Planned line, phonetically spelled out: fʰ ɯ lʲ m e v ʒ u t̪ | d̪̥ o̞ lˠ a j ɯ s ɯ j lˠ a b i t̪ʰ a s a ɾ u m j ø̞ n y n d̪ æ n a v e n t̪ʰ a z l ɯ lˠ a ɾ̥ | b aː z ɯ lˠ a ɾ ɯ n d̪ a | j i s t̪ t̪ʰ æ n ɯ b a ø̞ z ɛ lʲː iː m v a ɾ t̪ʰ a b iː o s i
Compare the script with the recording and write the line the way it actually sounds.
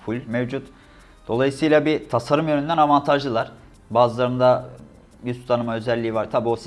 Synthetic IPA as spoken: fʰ u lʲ m e v d͡ʒ u t̪ | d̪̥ o̞ lˠ a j ɯ s ɯ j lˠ a b i t̪ʰ a s a ɾ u m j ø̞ n y n d̪ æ n a v a n t̪ʰ a ʒ l ɯ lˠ a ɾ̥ | b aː z ɯ lˠ a ɾ ɯ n d̪ a | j y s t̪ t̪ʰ a n ɯ m a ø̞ z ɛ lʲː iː v a ɾ t̪ʰ a b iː o s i